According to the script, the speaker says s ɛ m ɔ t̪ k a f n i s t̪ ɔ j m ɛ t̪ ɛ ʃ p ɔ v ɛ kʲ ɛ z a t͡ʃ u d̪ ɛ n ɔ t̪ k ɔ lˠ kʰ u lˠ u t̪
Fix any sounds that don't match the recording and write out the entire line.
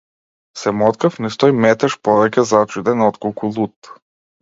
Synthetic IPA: s ɛ m ɔ t̪ k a f n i s t̪ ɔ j m ɛ t̪ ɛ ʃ p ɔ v ɛ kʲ ɛ z a t͡ʃ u d̪ ɛ n ɔ t̪ k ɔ lˠ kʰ u lˠ u t̪